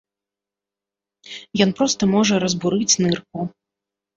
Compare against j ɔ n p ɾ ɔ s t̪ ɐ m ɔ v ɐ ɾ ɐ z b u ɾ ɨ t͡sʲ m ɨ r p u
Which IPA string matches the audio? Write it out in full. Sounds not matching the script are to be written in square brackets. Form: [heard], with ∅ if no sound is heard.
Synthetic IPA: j ɔ n p ɾ ɔ s t̪ ɐ m ɔ [ʐ] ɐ ɾ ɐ z b u ɾ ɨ t͡sʲ [n] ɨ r [k] u